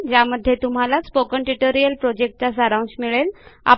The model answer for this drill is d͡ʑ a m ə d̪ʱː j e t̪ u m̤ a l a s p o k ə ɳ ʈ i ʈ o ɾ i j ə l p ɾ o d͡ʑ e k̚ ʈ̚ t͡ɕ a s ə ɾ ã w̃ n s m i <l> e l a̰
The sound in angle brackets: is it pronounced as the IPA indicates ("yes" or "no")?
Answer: no